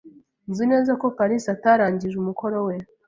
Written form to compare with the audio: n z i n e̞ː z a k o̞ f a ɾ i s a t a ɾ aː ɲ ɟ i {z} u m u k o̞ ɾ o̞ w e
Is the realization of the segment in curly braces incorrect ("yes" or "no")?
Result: yes